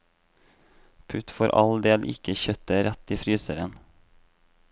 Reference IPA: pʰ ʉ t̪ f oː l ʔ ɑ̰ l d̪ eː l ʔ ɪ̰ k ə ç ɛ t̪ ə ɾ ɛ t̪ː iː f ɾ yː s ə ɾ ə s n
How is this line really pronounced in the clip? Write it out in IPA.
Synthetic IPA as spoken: pʰ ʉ t̪ f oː ɾ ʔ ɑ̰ l d̪ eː l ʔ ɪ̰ k ə ç œ t̪ ə ɾ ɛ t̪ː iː f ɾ yː s ə ɾ ə n